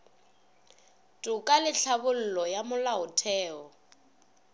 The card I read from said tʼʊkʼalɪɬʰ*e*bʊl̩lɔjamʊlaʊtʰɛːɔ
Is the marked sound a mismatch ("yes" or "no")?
yes